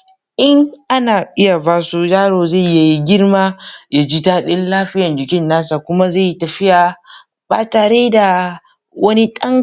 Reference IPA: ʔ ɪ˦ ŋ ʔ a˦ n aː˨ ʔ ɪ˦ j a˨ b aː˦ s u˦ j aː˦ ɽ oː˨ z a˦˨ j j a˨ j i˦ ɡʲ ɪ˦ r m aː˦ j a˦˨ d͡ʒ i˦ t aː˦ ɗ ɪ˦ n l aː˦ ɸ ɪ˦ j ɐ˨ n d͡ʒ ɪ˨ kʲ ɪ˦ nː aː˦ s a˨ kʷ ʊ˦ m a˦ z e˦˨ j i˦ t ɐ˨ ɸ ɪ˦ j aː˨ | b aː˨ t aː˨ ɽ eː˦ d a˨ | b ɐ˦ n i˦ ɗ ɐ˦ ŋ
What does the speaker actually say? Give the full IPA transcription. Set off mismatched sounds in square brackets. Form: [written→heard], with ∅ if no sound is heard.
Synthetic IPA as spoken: ʔ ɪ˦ ŋ ʔ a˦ n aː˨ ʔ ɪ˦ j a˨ b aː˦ s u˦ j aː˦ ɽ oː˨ z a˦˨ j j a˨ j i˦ ɡʲ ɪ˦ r m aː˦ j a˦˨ d͡ʒ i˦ t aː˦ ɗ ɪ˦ n l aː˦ ɸ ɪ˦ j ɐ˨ n d͡ʒ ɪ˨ kʲ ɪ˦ nː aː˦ s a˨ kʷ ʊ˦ m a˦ z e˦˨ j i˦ t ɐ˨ ɸ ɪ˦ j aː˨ | b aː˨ t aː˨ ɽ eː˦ d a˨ | [b→w] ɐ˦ n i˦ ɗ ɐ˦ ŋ